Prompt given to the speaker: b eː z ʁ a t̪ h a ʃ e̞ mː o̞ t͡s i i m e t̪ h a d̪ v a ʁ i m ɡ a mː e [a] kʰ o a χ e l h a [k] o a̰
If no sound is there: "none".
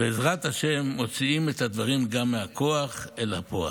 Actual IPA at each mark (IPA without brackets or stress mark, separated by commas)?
a, p